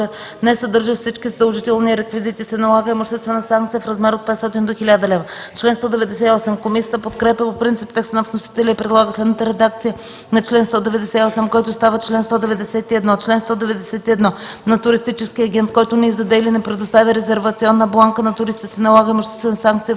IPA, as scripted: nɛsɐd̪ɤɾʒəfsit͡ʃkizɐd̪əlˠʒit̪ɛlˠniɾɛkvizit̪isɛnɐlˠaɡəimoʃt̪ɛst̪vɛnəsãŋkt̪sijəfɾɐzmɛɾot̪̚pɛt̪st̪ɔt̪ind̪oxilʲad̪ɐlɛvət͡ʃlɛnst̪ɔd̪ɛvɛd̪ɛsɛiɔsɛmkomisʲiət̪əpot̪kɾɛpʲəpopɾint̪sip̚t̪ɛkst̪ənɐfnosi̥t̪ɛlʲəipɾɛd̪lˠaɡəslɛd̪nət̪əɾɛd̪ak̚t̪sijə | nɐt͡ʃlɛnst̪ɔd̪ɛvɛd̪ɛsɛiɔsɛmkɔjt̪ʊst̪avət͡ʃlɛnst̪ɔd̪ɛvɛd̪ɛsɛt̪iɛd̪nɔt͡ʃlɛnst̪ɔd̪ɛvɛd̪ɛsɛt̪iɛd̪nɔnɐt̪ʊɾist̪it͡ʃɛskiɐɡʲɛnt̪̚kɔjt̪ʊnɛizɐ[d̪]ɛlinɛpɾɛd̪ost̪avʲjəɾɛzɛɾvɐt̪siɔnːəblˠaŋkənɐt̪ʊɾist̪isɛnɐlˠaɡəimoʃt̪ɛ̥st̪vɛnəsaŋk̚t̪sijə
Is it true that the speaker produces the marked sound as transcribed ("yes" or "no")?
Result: yes